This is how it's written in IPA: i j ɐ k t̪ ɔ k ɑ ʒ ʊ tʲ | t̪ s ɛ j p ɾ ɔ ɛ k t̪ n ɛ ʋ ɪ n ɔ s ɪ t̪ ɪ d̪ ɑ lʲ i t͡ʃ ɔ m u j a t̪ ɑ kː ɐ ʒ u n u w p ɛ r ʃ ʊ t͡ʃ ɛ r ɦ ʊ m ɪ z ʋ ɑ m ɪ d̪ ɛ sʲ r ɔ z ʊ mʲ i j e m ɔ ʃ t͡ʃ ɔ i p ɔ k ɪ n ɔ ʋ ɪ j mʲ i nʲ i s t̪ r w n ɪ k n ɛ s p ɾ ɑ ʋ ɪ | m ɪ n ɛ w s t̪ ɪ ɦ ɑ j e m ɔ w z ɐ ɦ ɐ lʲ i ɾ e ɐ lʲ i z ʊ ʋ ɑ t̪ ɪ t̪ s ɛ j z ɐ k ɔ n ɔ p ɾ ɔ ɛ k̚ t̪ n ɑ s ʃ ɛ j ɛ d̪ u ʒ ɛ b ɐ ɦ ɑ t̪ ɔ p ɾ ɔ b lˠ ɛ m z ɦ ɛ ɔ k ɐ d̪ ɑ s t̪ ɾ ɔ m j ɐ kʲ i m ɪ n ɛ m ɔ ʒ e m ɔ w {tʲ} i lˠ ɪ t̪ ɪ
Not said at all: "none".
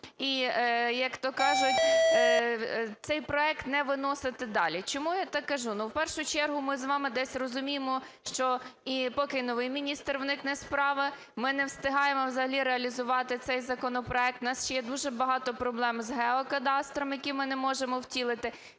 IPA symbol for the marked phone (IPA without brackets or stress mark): tʲ